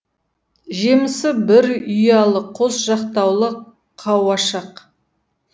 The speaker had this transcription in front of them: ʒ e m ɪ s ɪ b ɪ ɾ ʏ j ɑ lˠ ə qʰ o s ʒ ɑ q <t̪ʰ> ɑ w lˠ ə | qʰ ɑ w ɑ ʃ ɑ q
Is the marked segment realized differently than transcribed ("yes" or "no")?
yes